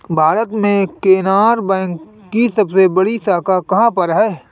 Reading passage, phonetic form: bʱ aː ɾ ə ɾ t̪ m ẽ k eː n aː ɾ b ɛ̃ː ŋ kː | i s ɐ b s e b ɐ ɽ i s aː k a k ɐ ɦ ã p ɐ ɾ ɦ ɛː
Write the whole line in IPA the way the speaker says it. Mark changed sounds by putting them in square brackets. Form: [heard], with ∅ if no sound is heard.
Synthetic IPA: bʱ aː ɾ ə [∅] t̪ m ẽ k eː n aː ɾ b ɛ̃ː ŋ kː | i s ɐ b s e b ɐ ɽ i s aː k a k ɐ ɦ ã p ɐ ɾ ɦ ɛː

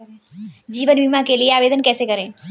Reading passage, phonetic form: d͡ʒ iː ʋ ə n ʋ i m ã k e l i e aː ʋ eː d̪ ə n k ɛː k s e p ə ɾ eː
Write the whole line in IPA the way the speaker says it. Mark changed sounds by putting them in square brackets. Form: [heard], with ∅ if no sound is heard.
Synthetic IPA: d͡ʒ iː ʋ ə n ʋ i m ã k e l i e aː ʋ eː d̪ ə n k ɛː [∅] s e [k] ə ɾ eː

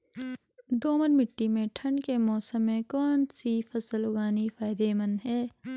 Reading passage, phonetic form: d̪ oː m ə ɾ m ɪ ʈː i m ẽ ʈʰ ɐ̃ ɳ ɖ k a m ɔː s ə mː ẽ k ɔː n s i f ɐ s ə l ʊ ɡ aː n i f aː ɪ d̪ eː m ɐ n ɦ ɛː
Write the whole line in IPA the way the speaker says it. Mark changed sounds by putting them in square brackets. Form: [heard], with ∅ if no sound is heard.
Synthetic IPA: d̪ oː m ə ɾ m ɪ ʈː i m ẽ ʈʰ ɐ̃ ɳ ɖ k [e] m ɔː s ə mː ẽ k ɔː n s i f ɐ s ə l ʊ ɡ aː n i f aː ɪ d̪ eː m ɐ n ɦ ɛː

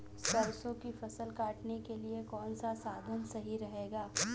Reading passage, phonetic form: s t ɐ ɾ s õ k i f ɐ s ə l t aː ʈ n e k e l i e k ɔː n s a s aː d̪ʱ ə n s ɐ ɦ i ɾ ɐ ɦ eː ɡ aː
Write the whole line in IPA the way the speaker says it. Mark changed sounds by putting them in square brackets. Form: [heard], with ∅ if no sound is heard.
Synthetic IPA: s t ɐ ɾ s õ k i f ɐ s ə l [k] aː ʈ n e k e l i e k ɔː n s a s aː d̪ʱ ə n s ɐ ɦ i ɾ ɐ ɦ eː ɡ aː

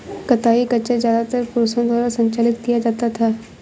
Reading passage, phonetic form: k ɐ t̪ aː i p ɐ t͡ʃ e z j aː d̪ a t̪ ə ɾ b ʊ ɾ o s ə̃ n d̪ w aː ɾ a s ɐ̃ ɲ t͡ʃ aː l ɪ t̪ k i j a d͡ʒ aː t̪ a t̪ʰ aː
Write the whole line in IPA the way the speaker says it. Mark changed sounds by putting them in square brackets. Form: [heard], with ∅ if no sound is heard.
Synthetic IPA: k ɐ t̪ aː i [k] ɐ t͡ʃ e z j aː d̪ a t̪ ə ɾ [p] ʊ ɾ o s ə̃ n d̪ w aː ɾ a s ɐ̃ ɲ t͡ʃ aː l ɪ t̪ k i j a d͡ʒ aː t̪ a t̪ʰ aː

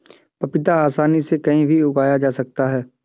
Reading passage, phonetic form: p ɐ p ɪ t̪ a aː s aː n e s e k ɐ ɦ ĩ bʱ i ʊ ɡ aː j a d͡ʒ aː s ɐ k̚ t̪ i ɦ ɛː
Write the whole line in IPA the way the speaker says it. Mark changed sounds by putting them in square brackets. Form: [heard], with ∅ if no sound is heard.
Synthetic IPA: p ɐ p ɪ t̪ a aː s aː n [i] s e k ɐ ɦ ĩ bʱ i ʊ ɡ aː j a d͡ʒ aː s ɐ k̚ t̪ [a] ɦ ɛː

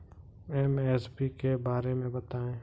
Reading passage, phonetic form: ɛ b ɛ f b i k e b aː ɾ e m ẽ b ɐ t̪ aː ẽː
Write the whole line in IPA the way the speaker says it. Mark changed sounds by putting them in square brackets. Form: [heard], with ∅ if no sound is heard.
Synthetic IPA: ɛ [m] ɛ [s] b i k e b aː ɾ e m ẽ b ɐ t̪ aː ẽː

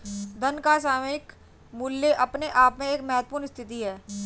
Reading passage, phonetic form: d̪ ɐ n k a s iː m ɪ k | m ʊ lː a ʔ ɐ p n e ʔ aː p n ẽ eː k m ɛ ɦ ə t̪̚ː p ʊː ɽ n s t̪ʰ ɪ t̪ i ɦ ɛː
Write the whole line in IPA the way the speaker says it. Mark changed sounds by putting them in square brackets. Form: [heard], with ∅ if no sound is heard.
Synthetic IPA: d̪ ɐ n k a s [aː] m ɪ k | m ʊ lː [e] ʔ ɐ p n e ʔ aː p [m] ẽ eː k m ɛ ɦ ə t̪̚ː p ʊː [ɾ] n s t̪ʰ ɪ t̪ i ɦ ɛː

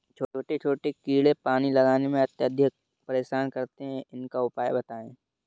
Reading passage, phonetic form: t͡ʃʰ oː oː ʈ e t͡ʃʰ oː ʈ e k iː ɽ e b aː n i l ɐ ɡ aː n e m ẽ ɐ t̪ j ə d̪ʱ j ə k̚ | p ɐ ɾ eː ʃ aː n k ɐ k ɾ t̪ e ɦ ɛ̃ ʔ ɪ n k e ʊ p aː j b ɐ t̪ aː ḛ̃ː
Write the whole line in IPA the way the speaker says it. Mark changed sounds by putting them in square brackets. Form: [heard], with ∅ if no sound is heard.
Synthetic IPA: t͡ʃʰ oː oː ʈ e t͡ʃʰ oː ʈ e k iː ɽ e [p] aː n i l ɐ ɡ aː n e m ẽ ɐ t̪ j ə d̪ʱ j ə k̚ | p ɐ ɾ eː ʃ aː n k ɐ [∅] ɾ t̪ e ɦ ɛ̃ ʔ ɪ n k [a] ʊ p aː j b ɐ t̪ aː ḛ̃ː

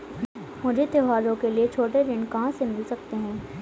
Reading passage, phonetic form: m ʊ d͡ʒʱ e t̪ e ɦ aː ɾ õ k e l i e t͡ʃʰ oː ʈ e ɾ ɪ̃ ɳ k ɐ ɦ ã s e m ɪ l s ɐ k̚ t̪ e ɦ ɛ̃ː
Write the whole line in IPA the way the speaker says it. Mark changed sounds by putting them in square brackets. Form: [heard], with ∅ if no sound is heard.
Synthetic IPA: m ʊ d͡ʒʱ e t̪ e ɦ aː ɾ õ k e l i e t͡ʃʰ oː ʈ e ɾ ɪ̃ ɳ k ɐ ɦ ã s e m ɪ l s ɐ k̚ t̪ e ɦ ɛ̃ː

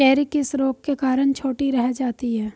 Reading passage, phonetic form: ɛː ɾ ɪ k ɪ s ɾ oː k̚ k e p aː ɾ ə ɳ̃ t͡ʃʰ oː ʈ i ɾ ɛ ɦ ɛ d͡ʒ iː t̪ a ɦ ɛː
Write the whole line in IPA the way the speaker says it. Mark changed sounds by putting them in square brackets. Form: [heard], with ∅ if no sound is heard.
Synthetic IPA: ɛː ɾ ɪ k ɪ s ɾ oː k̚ k e [k] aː ɾ ə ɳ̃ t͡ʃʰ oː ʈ i ɾ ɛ ɦ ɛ d͡ʒ [aː] t̪ [i] ɦ ɛː

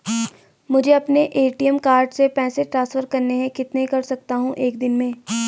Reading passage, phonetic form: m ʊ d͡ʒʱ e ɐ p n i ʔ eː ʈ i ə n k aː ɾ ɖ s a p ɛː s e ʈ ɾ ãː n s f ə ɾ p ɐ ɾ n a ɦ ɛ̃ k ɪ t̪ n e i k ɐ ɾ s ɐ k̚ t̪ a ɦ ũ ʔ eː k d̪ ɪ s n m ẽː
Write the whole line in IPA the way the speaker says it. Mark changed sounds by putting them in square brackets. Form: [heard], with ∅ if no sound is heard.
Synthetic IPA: m ʊ d͡ʒʱ e ɐ p n [e] ʔ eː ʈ i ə [m] k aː ɾ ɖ s [e] p ɛː s e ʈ ɾ ãː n s f ə ɾ [k] ɐ ɾ n [e] ɦ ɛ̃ k ɪ t̪ n e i k ɐ ɾ s ɐ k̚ t̪ a ɦ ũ ʔ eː k d̪ ɪ [∅] n m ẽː

